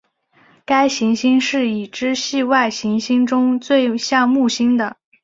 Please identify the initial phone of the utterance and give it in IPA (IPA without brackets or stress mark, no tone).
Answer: k